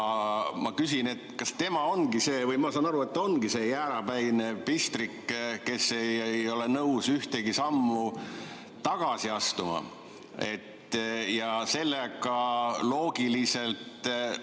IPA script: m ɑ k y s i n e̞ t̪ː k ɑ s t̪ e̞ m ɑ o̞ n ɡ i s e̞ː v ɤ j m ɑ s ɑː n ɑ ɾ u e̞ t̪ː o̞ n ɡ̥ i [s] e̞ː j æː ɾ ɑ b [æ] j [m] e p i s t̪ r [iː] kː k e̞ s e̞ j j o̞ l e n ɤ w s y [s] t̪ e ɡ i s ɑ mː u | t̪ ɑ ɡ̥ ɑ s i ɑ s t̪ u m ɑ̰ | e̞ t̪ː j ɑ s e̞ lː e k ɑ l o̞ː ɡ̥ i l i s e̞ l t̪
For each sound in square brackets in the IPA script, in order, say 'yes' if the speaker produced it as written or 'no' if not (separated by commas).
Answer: yes, yes, no, no, no